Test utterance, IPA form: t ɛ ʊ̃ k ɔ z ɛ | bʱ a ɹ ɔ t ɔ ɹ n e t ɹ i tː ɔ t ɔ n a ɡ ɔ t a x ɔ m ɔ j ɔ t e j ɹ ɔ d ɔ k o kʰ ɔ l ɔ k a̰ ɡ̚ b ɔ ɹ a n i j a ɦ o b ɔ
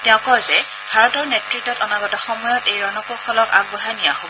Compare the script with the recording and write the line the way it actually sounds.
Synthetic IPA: t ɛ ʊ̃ k ɔ z ɛ | bʱ a ɹ ɔ t ɔ ɹ n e t ɹ i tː ɔ t ɔ n a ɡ ɔ t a x ɔ m ɔ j ɔ t e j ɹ ɔ n ɔ k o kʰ ɔ l ɔ k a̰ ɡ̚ b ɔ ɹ a n i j a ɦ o b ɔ

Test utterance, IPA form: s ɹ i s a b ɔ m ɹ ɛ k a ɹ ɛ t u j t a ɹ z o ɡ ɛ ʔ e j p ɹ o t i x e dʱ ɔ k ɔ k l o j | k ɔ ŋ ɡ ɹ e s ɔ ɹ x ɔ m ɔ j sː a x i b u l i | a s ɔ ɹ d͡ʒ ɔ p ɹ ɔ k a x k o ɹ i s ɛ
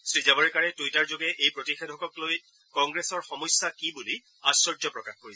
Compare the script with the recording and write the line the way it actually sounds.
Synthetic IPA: s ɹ i z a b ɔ ɹ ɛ k a ɹ ɛ t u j t a ɹ z o ɡ ɛ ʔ e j p ɹ o t i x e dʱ ɔ k ɔ k l o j | k ɔ ŋ ɡ ɹ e s ɔ ɹ x ɔ m ɔ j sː a k i b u l i | a s ɔ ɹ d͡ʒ ɔ p ɹ ɔ k a x k o ɹ i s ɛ

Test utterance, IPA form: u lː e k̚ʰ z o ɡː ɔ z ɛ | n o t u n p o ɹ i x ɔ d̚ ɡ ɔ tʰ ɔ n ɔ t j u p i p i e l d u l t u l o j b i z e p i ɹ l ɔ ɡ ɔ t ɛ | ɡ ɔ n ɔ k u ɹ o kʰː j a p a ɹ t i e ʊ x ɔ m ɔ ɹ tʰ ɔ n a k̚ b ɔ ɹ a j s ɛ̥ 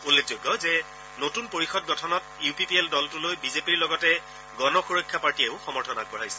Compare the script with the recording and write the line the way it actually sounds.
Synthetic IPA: u lː e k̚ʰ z o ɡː ɔ z ɛ | n o t u n p o ɹ i x ɔ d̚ ɡ ɔ tʰ ɔ n ɔ t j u p i p i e l d ɔ l t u l o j b i z e p i ɹ l ɔ ɡ ɔ t ɛ | ɡ ɔ n ɔ x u ɹ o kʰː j a p a ɹ t i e ʊ x ɔ m ɔ ɹ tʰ ɔ n a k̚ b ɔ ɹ a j s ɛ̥

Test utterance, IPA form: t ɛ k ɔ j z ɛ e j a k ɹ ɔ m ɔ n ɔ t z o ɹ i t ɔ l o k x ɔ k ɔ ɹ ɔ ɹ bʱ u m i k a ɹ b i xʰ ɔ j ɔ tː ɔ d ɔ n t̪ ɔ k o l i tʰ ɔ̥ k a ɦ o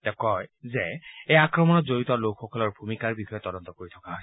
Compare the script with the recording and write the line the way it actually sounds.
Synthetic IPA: t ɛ k ɔ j z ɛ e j a k ɹ ɔ m ɔ n ɔ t z o ɹ i t ɔ l o k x ɔ k ɔ l ɔ ɹ bʱ u m i k a ɹ b i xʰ ɔ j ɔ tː ɔ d ɔ n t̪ ɔ k o ɹ i tʰ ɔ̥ k a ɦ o

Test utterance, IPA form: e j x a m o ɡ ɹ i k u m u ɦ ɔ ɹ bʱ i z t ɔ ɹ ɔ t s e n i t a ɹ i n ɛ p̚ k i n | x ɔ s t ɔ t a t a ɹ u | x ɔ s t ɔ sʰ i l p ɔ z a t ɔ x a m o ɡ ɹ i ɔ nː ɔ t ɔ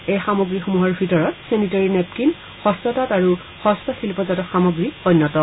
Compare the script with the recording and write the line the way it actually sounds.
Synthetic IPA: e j x a m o ɡ ɹ i x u m u ɦ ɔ ɹ bʱ i t ɔ ɹ ɔ t s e n i t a ɹ i n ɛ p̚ k i n | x ɔ s t ɔ t a t a ɹ u | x ɔ s t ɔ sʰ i l p ɔ z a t ɔ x a m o ɡ ɹ i ɔ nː ɔ t ɔ

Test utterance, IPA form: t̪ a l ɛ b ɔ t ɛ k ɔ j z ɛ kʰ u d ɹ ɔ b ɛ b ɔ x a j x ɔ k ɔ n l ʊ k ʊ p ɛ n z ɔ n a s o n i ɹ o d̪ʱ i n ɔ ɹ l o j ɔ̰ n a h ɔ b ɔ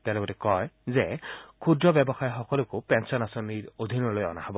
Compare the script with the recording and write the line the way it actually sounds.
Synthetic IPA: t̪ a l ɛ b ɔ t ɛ k ɔ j z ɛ kʰ u d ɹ ɔ b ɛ b ɔ x a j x ɔ k ɔ l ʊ k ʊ p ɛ n s ɔ n a s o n i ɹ o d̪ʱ i n ɔ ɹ l o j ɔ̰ n a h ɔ b ɔ

